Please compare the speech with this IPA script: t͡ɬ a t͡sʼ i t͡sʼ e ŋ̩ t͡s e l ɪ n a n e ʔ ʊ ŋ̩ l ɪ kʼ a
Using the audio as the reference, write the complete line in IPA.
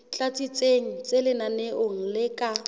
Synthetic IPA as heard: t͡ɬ a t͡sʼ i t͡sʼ e ŋ̩ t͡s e l ɪ n a n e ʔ ʊ ŋ̩ l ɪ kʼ a